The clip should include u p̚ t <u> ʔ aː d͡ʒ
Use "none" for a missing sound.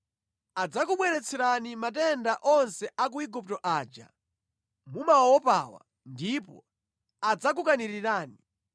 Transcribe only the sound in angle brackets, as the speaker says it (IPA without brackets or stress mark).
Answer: ɔ